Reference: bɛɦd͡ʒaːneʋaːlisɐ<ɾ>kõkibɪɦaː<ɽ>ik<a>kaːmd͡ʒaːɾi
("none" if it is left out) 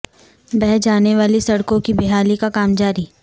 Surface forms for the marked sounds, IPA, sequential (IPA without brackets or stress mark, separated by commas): ɽ, l, a